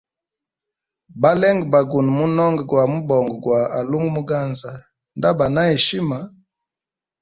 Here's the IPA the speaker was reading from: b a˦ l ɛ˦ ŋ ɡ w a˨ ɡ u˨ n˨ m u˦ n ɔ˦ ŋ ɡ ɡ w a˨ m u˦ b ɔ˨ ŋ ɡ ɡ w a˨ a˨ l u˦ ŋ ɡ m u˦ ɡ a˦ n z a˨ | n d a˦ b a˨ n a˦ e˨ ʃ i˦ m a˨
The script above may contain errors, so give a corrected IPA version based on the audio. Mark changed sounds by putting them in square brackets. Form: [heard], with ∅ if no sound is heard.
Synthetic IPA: b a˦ l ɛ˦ ŋ ɡ [b] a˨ ɡ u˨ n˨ m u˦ n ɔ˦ ŋ ɡ ɡ w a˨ m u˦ b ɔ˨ ŋ ɡ ɡ w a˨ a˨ l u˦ ŋ ɡ m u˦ ɡ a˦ n z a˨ | n d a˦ b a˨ n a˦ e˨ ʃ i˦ m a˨